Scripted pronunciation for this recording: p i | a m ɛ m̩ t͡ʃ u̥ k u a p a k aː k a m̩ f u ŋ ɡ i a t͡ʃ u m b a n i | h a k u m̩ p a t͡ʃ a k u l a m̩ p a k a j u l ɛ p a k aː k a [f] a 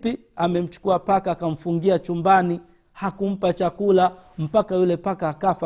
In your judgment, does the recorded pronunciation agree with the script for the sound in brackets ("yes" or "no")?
yes